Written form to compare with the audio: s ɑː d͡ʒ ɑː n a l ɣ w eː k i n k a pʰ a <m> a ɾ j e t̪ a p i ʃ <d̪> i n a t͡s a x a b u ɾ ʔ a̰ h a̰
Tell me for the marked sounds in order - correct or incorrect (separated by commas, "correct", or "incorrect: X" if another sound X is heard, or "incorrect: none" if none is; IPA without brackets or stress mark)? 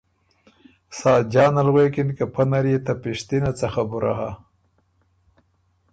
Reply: incorrect: n, incorrect: t̪